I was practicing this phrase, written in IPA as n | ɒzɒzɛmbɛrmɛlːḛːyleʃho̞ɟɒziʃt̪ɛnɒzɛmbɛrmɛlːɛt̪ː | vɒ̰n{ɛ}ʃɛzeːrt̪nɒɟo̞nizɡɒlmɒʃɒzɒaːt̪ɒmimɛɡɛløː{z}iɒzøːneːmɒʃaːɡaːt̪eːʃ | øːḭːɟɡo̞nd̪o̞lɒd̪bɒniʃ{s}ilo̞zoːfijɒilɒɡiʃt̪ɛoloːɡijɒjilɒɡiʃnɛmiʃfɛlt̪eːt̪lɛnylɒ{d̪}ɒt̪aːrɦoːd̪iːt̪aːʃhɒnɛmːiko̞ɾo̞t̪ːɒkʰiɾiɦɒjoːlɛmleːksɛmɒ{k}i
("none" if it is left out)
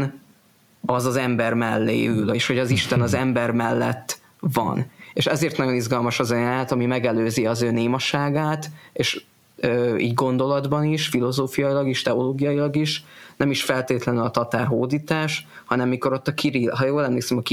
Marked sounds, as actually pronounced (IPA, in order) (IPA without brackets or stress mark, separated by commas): e, z, f, t̪, k